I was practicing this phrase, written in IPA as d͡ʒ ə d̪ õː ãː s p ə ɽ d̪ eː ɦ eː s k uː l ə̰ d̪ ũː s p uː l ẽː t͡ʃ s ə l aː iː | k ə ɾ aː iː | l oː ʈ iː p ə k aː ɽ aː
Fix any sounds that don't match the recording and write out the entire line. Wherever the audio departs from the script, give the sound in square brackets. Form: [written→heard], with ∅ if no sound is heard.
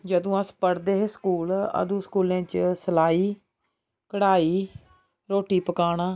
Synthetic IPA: d͡ʒ ə d̪ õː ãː s p ə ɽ d̪ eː ɦ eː s k uː l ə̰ d̪ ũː s [p→k] uː l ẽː t͡ʃ s ə l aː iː | k ə [ɾ→ɽ] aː iː | [l→ɾ] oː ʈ iː p ə k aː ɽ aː